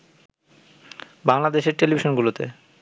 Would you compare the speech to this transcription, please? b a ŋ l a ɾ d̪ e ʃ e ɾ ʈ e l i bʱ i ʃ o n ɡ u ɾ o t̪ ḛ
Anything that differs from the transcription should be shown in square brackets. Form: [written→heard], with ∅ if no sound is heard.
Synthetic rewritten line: b a ŋ l a [ɾ→∅] d̪ e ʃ e ɾ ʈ e l i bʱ i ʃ o n ɡ u [ɾ→l] o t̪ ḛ

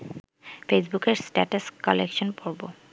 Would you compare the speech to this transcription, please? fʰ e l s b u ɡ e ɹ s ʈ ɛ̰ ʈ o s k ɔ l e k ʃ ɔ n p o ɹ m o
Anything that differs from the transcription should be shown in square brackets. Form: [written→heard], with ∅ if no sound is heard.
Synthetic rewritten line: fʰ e [l→∅] s b u [ɡ→k] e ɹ s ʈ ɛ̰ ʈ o s k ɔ l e k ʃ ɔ n p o ɹ [m→b] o

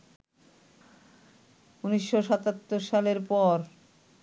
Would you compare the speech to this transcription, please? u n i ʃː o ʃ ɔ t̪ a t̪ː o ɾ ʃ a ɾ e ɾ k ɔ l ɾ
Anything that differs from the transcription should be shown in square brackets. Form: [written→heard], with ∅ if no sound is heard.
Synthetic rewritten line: u n i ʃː o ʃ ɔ t̪ a t̪ː o ɾ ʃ a [ɾ→l] e ɾ [k→p] ɔ [l→∅] ɾ

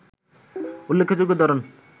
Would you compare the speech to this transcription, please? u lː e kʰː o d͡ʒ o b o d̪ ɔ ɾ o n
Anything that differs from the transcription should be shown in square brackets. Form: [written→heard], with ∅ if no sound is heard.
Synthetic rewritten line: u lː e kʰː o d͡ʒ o [b→ɡ] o d̪ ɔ ɾ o n

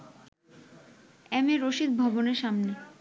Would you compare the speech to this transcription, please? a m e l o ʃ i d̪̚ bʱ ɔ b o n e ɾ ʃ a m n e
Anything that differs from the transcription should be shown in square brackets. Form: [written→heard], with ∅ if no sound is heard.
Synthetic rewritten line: [a→ɛ] m e [l→ɾ] o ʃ i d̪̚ bʱ ɔ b o n e ɾ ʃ a m n e

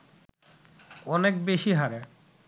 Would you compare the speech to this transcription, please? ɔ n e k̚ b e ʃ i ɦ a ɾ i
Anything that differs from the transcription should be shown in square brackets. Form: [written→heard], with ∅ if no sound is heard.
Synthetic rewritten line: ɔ n e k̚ b e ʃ i ɦ a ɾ [i→e]

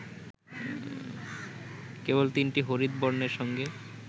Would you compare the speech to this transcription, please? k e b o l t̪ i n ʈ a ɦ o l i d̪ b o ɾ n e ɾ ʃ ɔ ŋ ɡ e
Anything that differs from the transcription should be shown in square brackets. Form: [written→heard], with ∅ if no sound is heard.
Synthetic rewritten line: k e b o l t̪ i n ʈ [a→i] ɦ o [l→ɾ] i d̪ b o ɾ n e ɾ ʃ ɔ ŋ ɡ e

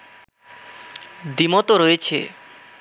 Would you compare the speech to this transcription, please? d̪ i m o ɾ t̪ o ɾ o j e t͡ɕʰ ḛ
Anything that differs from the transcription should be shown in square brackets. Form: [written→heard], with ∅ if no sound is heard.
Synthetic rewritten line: d̪ i m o [ɾ→∅] t̪ o ɾ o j e t͡ɕʰ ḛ

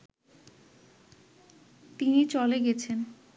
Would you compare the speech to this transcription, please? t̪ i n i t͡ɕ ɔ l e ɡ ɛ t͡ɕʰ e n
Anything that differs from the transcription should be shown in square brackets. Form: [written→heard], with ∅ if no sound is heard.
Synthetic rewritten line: t̪ i n i t͡ɕ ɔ l e ɡ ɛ t͡ɕʰ e n

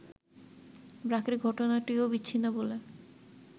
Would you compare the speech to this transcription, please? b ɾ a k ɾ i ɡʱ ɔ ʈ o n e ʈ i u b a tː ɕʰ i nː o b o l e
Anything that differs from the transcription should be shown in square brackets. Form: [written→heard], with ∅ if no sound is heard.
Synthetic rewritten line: b ɾ a k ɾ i ɡʱ ɔ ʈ o n [e→a] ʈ i [u→o] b [a→i] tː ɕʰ i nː o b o l e

